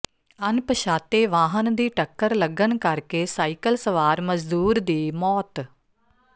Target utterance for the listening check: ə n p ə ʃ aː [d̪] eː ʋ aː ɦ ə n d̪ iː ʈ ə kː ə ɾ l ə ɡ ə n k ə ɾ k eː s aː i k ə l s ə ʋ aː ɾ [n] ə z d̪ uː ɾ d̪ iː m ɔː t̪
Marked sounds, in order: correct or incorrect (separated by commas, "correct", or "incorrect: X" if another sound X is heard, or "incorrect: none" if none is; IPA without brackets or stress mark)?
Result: incorrect: t̪, incorrect: m